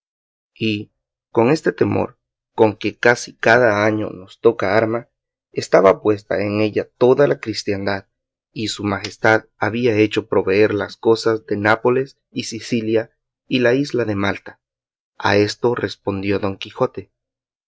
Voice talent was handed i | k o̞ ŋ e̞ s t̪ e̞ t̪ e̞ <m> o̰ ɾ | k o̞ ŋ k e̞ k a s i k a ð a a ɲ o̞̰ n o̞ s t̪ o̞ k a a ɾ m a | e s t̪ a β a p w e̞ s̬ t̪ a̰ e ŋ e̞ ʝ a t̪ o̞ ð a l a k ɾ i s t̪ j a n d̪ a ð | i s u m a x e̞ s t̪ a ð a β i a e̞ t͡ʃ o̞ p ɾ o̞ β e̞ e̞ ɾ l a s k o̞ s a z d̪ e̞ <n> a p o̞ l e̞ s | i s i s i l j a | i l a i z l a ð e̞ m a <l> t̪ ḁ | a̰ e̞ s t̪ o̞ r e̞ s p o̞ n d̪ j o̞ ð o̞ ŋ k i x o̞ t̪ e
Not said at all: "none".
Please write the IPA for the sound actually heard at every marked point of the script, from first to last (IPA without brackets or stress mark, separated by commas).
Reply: m, n, l